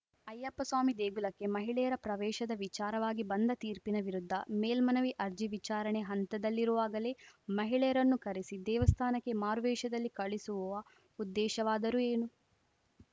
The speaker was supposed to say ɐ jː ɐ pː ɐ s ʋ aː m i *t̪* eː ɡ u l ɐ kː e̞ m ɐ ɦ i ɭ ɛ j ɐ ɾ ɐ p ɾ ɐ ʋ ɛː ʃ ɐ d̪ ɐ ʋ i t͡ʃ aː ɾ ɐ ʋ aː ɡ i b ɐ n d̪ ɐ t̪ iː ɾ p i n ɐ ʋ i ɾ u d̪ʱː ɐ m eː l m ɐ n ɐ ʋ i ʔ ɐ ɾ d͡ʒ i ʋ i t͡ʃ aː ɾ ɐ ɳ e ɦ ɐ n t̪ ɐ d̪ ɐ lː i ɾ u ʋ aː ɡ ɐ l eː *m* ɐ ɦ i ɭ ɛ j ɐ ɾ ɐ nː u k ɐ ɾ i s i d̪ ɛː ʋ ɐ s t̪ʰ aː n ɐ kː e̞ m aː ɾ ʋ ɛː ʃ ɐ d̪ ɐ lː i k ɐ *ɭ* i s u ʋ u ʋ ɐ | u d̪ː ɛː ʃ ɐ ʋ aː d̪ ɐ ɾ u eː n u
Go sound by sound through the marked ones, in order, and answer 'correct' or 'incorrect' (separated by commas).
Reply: incorrect, correct, correct